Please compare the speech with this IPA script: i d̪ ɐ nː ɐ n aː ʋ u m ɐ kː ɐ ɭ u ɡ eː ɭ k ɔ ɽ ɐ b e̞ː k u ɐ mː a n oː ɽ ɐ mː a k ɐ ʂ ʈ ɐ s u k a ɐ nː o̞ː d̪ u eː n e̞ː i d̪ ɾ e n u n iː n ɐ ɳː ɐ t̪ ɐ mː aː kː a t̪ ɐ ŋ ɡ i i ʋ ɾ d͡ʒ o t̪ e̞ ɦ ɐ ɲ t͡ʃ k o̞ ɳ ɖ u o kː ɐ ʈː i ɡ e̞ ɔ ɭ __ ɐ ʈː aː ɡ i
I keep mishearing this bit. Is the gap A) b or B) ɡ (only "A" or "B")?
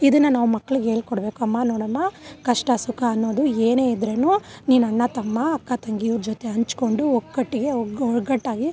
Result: B